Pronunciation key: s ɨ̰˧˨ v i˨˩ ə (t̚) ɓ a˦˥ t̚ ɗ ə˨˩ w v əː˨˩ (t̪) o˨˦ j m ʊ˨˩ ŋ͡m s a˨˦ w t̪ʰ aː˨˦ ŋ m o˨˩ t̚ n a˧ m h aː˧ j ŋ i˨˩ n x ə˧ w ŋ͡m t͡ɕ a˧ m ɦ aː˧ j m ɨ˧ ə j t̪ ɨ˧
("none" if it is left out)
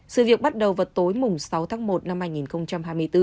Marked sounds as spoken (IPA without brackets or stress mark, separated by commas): k̚, t̪